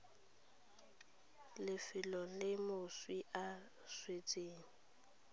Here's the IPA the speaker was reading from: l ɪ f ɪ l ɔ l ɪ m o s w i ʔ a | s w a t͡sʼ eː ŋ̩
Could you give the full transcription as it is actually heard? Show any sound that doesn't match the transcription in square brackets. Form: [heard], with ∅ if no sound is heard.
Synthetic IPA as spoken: l ɪ f ɪ l ɔ l ɪ m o s w i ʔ a | s w [e] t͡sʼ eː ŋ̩